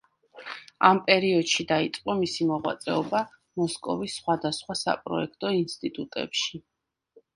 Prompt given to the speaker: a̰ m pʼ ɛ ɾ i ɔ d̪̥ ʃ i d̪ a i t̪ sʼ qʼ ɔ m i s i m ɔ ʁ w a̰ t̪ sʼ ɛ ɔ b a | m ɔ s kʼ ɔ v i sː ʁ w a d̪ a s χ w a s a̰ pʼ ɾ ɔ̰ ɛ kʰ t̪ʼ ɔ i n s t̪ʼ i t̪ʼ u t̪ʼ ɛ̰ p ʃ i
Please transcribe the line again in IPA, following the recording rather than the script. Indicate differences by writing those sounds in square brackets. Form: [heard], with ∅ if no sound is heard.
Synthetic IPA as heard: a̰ m pʼ ɛ ɾ i ɔ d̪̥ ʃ i d̪ a i t̪ sʼ qʼ ɔ m i s i m ɔ ʁ w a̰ t̪ sʼ ɛ ɔ b a | m ɔ s kʼ ɔ v i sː [χ] w a d̪ a s χ w a s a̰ pʼ ɾ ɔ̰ ɛ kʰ t̪ʼ ɔ i n s t̪ʼ i t̪ʼ u t̪ʼ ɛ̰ p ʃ i